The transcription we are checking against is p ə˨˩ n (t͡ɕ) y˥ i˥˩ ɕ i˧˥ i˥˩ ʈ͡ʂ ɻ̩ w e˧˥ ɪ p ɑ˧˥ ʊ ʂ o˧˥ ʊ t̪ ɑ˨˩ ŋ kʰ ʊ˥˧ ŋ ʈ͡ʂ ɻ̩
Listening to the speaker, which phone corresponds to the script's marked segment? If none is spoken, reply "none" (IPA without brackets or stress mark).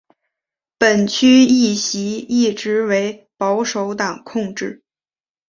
t͡ɕʰ